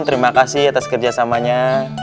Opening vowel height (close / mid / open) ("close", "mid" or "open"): mid